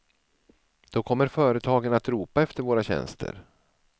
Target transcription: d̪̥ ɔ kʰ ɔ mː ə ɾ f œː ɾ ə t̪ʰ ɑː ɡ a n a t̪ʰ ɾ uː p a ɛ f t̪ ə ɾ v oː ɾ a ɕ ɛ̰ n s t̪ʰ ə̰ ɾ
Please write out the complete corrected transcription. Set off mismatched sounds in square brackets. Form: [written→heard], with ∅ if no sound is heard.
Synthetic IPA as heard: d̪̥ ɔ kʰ ɔ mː ə ɾ f œː ɾ ə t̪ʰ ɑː ɡ [a→ə] n a [t̪ʰ→t̪] ɾ uː p a ɛ f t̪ ə ɾ v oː ɾ a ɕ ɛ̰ n s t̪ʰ ə̰ ɾ